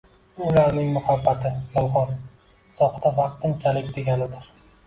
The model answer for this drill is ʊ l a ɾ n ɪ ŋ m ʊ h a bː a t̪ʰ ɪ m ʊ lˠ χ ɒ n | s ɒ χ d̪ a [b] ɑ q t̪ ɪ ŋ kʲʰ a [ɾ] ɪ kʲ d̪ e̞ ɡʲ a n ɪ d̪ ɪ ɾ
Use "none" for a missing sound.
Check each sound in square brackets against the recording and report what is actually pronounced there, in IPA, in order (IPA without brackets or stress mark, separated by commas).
v, l